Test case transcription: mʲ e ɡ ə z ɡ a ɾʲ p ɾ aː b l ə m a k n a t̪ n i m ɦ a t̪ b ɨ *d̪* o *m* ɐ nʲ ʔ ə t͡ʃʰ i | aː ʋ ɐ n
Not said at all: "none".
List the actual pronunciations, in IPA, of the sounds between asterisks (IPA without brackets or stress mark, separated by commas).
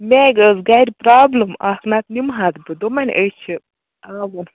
d̪, m